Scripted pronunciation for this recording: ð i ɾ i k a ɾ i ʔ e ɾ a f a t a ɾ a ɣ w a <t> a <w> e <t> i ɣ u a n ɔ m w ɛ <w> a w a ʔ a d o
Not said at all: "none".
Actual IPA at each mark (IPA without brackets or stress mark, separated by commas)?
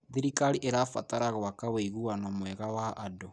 k, w, none, ɣ